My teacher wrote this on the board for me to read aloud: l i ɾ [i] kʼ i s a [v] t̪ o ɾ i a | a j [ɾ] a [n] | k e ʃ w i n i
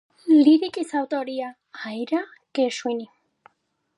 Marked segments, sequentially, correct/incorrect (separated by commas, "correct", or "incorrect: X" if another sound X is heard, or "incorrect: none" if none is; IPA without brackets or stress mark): correct, incorrect: w, correct, incorrect: none